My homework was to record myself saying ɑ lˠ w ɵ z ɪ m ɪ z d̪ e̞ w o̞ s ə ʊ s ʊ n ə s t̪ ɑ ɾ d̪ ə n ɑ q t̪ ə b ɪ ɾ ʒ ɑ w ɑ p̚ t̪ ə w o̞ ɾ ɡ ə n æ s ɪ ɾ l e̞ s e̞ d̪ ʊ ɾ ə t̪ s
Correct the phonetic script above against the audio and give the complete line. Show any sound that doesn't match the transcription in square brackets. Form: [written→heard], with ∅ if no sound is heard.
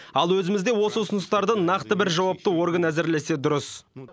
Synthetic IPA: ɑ lˠ w ɵ z ɪ m ɪ z d̪ e̞ w o̞ s ə ʊ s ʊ n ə s t̪ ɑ ɾ d̪ ə n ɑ q t̪ ə b ɪ ɾ ʒ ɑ w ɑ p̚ t̪ ə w o̞ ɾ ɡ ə n æ [s→z] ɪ ɾ l e̞ s e̞ d̪ ʊ ɾ ə [t̪→∅] s

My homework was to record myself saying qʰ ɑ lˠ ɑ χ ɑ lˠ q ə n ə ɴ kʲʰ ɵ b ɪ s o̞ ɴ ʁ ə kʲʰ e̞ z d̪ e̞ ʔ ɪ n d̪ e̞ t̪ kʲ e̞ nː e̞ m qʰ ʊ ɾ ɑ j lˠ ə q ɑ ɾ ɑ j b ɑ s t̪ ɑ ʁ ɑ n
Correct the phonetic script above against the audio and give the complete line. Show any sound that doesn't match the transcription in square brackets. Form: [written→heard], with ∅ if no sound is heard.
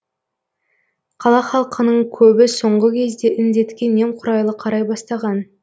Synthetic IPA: qʰ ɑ lˠ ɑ χ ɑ lˠ q ə n ə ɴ kʲʰ ɵ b ɪ s o̞ ɴ ʁ ə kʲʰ e̞ z d̪ e̞ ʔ ɪ n d̪ e̞ t̪ kʲ e̞ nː e̞ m qʰ ʊ ɾ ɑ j lˠ ə [q→qʰ] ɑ ɾ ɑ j b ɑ s t̪ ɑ ʁ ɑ n

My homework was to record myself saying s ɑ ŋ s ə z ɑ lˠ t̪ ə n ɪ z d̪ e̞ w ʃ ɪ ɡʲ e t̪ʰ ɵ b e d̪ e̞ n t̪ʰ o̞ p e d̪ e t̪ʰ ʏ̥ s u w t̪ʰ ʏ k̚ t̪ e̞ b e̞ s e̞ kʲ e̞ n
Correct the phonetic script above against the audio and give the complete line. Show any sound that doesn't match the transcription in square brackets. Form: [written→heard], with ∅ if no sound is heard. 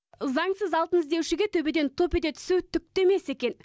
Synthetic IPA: [s→z] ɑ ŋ s ə z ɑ lˠ t̪ ə n ɪ z d̪ e̞ w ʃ ɪ ɡʲ e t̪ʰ ɵ b e d̪ e̞ n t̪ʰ o̞ p e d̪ e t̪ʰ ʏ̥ s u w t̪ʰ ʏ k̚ t̪ e̞ [b→m] e̞ s e̞ kʲ e̞ n

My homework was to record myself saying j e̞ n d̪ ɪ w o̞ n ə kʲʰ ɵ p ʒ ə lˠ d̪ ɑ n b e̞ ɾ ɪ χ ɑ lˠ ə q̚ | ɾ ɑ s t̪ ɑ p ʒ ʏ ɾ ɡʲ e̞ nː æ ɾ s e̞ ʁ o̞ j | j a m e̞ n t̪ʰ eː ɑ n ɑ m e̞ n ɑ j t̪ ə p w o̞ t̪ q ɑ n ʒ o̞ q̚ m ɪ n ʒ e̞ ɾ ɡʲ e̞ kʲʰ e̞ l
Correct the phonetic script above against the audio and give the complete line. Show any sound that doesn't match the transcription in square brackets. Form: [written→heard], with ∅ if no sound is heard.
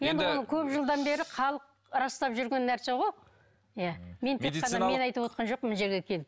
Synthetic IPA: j e̞ n d̪ ɪ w o̞ n ə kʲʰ ɵ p ʒ ə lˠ d̪ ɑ n b e̞ ɾ ɪ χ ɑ lˠ ə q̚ | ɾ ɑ s t̪ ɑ p ʒ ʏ ɾ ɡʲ e̞ nː æ ɾ s e̞ ʁ o̞ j | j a m e̞ n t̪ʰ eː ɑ n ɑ m e̞ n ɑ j t̪ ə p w o̞ t̪ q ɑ n ʒ o̞ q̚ m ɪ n ʒ e̞ ɾ ɡʲ e̞ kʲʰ e̞ l

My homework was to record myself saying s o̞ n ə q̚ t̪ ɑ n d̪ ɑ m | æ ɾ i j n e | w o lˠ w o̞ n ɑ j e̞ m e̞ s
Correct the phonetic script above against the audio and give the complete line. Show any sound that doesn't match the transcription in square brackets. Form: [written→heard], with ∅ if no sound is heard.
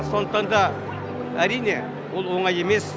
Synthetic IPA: s o̞ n ə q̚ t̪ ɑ n d̪ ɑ [m→∅] | æ ɾ i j n e | w o lˠ w o̞ [n→ɴ] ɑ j e̞ m e̞ s

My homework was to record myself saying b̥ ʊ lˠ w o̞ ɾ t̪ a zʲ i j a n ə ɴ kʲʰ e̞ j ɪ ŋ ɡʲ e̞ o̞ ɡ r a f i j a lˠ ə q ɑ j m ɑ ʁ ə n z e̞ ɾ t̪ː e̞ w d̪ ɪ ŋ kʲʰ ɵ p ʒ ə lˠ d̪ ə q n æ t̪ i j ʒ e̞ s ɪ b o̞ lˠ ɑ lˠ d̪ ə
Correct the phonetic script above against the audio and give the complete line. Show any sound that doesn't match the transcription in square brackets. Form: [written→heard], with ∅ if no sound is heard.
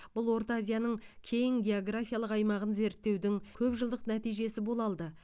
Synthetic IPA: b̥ ʊ lˠ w o̞ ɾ t̪ a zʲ i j a n ə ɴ kʲʰ e̞ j ɪ ŋ ɡʲ e̞ o̞ ɡ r a f i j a lˠ ə q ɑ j m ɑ ʁ ə n z e̞ ɾ t̪ː e̞ w d̪ ɪ ŋ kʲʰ ɵ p ʒ ə lˠ d̪ ə q n æ t̪ i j ʒ e̞ s ɪ b o̞ lˠ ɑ lˠ d̪ ə

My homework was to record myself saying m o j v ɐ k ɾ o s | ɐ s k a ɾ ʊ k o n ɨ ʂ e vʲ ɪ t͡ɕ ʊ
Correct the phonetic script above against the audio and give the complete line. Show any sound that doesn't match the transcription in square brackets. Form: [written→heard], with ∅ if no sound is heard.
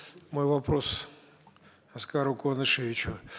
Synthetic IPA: m o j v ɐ [k→p] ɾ o s | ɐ s k a ɾ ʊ k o n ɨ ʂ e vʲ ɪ t͡ɕ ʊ

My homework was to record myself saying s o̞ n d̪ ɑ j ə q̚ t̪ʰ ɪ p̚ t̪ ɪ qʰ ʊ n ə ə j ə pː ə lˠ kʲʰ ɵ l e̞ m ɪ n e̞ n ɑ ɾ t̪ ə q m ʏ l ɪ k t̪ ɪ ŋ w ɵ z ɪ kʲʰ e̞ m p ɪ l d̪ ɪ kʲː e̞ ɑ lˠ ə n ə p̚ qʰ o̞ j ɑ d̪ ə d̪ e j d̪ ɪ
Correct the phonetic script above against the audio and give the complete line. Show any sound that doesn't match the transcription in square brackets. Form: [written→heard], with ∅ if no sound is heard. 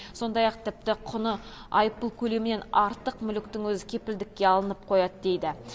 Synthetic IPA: s o̞ n d̪ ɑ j [ə→ɑ] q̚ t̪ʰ ɪ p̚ t̪ ɪ qʰ ʊ n ə [ə→ɑ] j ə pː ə lˠ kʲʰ ɵ l e̞ m ɪ n e̞ n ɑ ɾ t̪ ə q m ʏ l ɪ k t̪ ɪ ŋ w ɵ z ɪ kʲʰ e̞ [m→∅] p ɪ l d̪ ɪ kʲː e̞ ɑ lˠ ə n ə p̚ qʰ o̞ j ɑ d̪ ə d̪ e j d̪ ɪ

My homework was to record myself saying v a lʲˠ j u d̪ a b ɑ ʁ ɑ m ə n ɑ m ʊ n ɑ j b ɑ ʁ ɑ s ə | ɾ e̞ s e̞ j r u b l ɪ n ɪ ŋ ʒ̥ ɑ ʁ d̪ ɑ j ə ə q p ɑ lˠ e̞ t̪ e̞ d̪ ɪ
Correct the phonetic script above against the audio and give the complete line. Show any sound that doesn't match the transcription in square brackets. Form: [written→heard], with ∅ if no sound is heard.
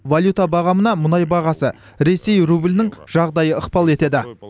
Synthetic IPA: v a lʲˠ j u [d̪→t̪] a b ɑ ʁ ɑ m ə n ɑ m ʊ n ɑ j b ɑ ʁ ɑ s ə | ɾ e̞ s e̞ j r u b l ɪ n ɪ ŋ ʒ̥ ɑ ʁ d̪ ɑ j ə ə q p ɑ lˠ e̞ t̪ e̞ d̪ ɪ

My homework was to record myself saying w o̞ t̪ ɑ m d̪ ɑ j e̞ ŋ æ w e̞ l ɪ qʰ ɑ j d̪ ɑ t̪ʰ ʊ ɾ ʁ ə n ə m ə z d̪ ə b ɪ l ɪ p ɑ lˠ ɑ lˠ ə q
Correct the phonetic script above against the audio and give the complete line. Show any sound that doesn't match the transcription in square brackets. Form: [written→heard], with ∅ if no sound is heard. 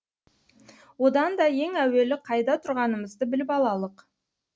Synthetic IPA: w o̞ [t̪→d̪] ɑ [m→n] d̪ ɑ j e̞ ŋ æ w e̞ l ɪ qʰ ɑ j d̪ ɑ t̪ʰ ʊ ɾ ʁ [ə→ɑ] n ə m ə z d̪ ə b ɪ l ɪ p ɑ lˠ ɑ lˠ ə q

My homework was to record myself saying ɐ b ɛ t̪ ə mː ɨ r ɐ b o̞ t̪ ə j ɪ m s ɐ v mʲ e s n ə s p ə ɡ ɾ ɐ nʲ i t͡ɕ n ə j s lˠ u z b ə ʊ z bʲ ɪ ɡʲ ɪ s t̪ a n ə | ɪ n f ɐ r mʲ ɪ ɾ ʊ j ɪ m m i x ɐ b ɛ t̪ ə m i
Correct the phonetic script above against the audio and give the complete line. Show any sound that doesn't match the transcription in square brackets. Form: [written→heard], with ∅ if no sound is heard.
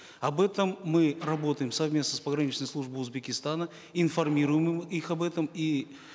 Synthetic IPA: ɐ b ɛ t̪ ə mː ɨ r ɐ b o̞ t̪ ə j ɪ m s ɐ v mʲ e s n ə s p ə ɡ ɾ ɐ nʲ i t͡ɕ n ə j s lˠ u [z→ʐ] b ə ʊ z bʲ ɪ [ɡʲ→kʲ] ɪ s t̪ a n ə | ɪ n f ɐ r mʲ [ɪ→i] ɾ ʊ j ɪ m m i x ɐ b ɛ t̪ ə m i

